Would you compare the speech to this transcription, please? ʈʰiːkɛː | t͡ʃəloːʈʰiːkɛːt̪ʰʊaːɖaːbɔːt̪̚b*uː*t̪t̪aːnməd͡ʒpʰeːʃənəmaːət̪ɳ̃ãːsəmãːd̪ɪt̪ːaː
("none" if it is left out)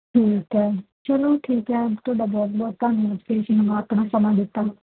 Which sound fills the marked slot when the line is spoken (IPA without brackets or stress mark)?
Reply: ɔː